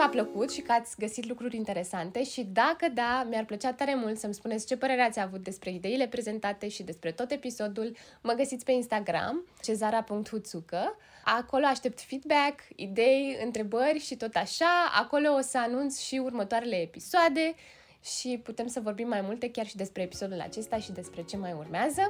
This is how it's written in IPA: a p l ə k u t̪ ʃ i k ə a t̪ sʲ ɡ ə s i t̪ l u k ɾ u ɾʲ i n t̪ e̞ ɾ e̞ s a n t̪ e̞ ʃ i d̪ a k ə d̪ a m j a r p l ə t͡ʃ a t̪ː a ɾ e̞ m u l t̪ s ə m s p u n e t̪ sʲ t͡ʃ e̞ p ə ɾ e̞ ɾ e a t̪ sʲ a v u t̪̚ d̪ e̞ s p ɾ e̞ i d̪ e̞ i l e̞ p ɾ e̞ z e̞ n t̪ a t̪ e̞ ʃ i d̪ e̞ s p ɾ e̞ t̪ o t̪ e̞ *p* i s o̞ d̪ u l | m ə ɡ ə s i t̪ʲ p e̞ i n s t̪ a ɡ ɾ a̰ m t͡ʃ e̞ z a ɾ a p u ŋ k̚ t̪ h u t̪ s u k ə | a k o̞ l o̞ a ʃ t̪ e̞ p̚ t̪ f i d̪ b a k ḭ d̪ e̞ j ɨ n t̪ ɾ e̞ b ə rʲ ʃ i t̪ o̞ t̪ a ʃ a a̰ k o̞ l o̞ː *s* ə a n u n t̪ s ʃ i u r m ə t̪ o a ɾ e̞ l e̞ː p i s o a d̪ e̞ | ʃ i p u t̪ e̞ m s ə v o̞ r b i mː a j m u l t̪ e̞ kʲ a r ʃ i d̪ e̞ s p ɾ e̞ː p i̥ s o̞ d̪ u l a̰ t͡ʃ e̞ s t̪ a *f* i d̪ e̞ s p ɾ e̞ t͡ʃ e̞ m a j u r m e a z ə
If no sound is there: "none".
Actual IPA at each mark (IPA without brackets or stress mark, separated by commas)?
p, s, ʃ